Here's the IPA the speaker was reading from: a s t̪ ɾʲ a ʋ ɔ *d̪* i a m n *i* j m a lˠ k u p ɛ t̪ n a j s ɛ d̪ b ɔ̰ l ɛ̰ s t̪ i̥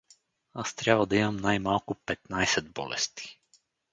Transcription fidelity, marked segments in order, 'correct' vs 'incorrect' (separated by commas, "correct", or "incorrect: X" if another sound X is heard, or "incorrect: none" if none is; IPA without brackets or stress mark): correct, incorrect: a